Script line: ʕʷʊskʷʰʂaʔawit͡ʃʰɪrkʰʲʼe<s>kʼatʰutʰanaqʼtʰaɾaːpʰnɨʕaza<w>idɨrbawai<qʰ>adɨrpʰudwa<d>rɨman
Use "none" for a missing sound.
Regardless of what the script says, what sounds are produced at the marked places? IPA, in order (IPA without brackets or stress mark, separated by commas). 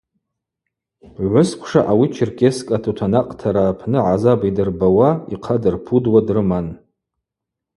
s, b, qʰ, d